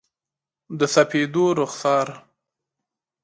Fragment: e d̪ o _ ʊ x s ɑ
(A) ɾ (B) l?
A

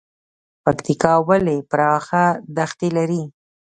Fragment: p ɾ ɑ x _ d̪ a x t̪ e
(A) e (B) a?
B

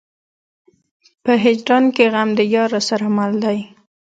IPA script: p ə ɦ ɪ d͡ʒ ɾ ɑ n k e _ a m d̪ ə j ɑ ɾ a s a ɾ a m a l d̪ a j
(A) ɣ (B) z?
A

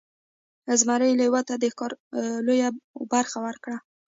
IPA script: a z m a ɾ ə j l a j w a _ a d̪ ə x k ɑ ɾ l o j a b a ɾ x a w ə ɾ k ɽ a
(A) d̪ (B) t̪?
B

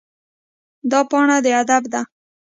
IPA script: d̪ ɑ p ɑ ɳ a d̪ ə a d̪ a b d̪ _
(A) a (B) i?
A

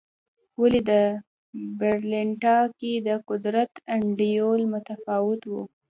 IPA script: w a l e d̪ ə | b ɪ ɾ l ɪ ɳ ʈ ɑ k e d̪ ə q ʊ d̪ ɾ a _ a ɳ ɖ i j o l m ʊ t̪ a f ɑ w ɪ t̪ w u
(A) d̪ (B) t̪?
B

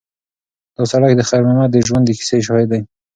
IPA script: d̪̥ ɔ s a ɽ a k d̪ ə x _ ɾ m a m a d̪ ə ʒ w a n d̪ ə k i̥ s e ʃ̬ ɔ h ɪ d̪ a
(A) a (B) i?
A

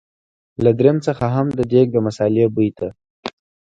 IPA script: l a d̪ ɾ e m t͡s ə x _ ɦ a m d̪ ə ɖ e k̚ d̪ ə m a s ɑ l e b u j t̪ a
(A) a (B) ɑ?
A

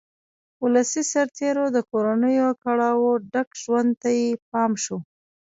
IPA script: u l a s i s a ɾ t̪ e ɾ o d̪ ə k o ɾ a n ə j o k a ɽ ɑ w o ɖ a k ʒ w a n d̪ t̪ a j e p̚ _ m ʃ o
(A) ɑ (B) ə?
A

